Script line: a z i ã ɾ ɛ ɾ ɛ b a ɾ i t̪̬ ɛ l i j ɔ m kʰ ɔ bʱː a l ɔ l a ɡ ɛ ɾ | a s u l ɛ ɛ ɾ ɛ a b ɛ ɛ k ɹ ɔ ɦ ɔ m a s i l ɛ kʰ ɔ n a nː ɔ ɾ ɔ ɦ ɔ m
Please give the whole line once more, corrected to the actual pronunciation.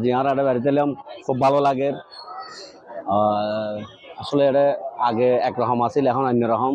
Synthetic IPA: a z i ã ɾ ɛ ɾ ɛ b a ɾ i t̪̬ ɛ l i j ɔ m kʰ u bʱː a l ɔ l a ɡ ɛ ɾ | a s ɔ l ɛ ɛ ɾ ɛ a ɡ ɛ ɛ k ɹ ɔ ɦ ɔ m a s i l ɛ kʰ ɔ n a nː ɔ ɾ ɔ ɦ ɔ m